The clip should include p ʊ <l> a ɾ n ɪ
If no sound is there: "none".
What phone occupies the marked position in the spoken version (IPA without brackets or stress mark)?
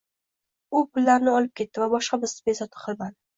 lː